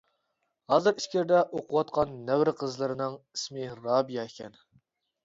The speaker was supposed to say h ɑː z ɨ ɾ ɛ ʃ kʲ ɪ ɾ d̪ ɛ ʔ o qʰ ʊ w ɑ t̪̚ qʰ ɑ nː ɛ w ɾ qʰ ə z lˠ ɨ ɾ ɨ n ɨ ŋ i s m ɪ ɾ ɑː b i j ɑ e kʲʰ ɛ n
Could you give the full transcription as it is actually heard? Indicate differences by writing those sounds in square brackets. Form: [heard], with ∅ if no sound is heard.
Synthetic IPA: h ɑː z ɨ ɾ [i] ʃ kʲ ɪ ɾ d̪ ɛ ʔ o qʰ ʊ w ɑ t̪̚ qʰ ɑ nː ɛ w ɾ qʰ ə z lˠ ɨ ɾ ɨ n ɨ ŋ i s m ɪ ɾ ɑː b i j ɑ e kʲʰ ɛ n